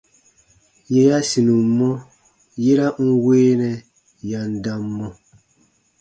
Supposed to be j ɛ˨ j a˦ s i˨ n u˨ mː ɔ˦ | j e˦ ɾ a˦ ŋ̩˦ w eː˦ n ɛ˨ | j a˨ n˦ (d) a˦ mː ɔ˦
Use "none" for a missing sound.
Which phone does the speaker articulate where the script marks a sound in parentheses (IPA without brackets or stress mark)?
d